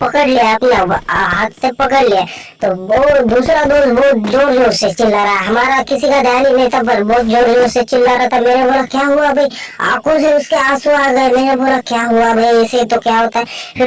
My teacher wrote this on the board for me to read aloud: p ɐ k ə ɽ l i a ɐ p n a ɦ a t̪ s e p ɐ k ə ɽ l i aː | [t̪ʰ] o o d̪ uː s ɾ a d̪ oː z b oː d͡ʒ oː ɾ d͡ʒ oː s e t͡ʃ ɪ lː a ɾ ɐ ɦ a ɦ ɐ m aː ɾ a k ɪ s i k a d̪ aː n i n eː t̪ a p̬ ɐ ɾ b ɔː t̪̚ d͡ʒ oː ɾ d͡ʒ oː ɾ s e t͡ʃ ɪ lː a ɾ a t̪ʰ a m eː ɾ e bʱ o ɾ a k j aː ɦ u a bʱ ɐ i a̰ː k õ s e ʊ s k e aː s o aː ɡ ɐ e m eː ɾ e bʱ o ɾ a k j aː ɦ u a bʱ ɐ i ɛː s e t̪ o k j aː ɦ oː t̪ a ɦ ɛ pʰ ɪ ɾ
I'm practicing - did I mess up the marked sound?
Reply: yes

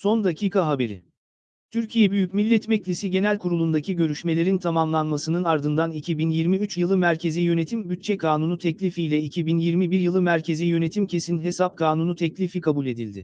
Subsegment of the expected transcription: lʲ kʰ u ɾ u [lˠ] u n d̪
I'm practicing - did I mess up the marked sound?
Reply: no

